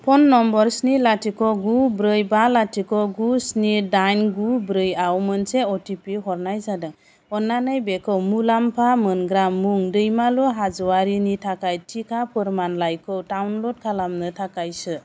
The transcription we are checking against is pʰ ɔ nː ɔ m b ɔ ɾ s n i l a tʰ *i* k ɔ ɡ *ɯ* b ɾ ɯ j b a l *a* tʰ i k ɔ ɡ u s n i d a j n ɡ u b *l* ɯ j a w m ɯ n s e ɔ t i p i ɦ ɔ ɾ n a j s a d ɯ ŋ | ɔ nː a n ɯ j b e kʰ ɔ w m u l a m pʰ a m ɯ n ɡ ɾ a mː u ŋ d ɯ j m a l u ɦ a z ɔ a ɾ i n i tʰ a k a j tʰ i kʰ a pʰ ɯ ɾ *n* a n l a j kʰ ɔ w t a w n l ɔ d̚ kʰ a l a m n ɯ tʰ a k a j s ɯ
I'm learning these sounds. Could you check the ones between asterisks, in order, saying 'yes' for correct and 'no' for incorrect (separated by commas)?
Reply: yes, no, yes, no, no